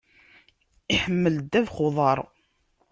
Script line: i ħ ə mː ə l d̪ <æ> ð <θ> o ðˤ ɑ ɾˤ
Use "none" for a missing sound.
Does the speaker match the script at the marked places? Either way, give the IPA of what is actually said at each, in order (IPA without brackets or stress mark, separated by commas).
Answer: æ, χ